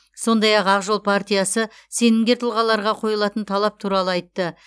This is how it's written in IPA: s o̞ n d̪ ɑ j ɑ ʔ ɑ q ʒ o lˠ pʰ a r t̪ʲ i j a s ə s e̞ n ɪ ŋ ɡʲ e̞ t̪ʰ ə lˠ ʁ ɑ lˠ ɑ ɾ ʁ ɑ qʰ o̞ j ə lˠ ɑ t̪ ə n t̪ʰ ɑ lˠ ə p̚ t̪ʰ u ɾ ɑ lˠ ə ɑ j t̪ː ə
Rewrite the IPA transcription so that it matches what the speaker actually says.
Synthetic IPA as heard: s o̞ n d̪ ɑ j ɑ q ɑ q ʒ o lˠ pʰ a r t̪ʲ i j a s ə s e̞ n ɪ ŋ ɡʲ e̞ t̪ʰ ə lˠ ʁ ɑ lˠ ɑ ɾ ʁ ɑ qʰ o̞ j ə lˠ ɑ t̪ ə n t̪ʰ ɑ lˠ ɑ p̚ t̪ʰ u ɾ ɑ lˠ ə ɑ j t̪ː ə

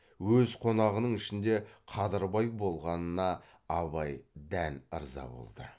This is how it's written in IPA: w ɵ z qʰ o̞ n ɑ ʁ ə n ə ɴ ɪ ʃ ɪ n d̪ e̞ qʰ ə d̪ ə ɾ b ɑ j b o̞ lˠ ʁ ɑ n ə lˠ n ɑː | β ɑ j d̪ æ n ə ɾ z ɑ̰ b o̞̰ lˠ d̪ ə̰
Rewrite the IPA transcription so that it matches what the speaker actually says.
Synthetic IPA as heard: w ɵ z qʰ o̞ n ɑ ʁ ə n ə ɴ ɪ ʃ ɪ n d̪ e̞ qʰ ɑ d̪ ə ɾ b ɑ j b o̞ lˠ ʁ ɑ n ə n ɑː | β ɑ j d̪ æ n ə ɾ z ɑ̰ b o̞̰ lˠ d̪ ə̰

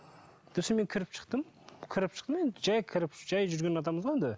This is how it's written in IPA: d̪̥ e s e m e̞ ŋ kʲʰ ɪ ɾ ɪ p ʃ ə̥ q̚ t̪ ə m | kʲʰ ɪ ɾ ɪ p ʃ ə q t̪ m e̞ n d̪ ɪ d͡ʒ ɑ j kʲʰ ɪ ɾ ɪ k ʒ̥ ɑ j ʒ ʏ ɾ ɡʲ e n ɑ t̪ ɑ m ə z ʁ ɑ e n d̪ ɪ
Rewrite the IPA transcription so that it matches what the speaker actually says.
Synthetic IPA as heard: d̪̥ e s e m e̞ ŋ kʲʰ ɪ ɾ ɪ p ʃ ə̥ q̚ t̪ ə m | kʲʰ ɪ ɾ ɪ p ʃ ə q t̪ m e̞ n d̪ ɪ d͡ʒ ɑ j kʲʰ ɪ ɾ ɪ p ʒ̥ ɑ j ʒ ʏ ɾ ɡʲ e n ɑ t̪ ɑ m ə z ʁ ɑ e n d̪ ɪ

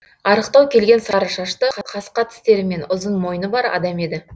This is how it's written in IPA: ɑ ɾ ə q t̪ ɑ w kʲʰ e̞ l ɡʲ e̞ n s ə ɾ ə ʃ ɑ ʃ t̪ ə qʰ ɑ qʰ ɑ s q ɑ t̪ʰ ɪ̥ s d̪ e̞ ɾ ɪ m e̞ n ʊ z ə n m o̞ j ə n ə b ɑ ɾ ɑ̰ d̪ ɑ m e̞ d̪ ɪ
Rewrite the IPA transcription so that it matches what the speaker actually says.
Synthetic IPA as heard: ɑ ɾ ə q t̪ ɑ w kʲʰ e̞ l ɡʲ e̞ n s ɑ ɾ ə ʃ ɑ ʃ t̪ ə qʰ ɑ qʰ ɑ s q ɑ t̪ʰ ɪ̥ s t̪ e̞ ɾ ɪ m e̞ n ʊ z ə n m o̞ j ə n ə b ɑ ɾ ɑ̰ d̪ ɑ m e̞ d̪ ɪ

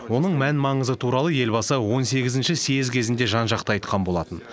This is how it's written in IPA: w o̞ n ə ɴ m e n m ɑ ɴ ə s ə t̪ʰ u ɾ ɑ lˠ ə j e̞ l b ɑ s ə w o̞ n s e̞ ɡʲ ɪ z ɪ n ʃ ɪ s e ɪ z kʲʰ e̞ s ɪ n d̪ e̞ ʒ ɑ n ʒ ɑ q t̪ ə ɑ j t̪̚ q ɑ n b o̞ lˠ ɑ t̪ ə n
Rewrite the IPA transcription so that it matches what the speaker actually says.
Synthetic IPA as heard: w o̞ n ə ɴ m æ n m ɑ ɴ ə z ə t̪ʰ u ɾ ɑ lˠ ə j e̞ l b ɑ s ə w o̞ n s e̞ ɡʲ ɪ z ɪ n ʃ ɪ s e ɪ z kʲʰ e̞ z ɪ n d̪ e̞ ʒ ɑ n ʒ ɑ q t̪ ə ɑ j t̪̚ q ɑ n b o̞ lˠ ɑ t̪ ə n

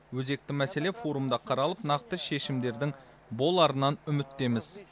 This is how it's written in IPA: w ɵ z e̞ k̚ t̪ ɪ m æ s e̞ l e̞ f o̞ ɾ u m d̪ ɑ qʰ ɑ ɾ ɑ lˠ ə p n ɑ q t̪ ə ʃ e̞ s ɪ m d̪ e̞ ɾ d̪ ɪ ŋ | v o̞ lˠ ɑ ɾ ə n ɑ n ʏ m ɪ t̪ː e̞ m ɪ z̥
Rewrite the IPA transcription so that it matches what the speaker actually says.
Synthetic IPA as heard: w ɵ z e̞ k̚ t̪ ɪ m æ s e̞ l e̞ f o̞ ɾ u m d̪ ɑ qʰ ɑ ɾ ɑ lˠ ə p n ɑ q t̪ ə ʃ e̞ ʃ ɪ m d̪ e̞ ɾ d̪ ɪ ŋ | b o̞ lˠ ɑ ɾ ə n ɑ n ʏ m ɪ t̪ː e̞ m ɪ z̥

